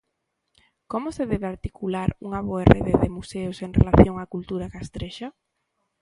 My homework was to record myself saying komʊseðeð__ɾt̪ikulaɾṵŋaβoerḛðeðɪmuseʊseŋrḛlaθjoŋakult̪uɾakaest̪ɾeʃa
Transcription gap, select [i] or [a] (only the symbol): a